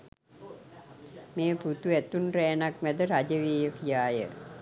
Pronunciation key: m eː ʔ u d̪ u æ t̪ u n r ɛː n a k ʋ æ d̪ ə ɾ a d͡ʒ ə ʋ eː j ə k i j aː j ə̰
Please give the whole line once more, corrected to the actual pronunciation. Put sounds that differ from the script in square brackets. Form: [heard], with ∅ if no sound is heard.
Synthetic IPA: m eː [p] u [t̪] u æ t̪ u n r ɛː n a k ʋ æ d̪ ə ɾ a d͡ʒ ə ʋ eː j ə k i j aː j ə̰